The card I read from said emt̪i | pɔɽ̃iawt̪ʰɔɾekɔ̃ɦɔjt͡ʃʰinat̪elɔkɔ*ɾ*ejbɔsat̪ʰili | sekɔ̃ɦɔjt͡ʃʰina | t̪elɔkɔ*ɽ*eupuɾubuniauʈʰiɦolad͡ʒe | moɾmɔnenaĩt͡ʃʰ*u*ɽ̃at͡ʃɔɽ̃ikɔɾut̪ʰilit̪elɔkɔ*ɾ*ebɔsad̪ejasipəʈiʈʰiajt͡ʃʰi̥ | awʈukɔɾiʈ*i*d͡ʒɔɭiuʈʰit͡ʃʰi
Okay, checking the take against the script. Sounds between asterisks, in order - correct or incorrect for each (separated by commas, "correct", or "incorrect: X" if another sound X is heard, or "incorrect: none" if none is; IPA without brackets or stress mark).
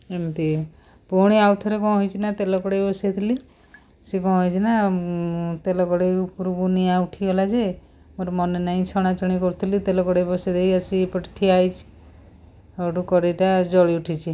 incorrect: ɽ, correct, incorrect: ɔ, incorrect: ɽ, incorrect: a